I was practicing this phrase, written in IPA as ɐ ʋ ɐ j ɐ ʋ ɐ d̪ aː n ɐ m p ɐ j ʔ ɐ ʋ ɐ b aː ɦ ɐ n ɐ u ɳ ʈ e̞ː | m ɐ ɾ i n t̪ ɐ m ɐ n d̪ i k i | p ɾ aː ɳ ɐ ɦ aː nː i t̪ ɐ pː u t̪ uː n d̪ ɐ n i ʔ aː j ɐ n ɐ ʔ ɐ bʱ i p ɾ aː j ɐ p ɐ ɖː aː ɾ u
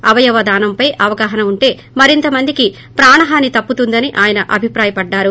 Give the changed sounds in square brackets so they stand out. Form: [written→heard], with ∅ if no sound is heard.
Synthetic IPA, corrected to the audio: ɐ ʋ ɐ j ɐ ʋ ɐ d̪ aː n ɐ m p ɐ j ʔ ɐ ʋ ɐ [b→ɡ] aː ɦ ɐ n ɐ u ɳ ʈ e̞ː | m ɐ ɾ i n t̪ ɐ m ɐ n d̪ i k i | p ɾ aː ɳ ɐ ɦ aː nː i t̪ ɐ pː u t̪ [uː→u] n d̪ ɐ n i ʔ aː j ɐ n ɐ ʔ ɐ bʱ i p ɾ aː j ɐ p ɐ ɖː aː ɾ u